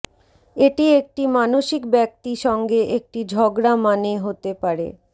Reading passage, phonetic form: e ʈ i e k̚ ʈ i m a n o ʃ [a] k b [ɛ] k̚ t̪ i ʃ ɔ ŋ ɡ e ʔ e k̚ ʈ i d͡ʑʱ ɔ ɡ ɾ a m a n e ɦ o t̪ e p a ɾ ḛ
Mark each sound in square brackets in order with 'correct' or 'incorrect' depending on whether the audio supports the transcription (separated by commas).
incorrect, correct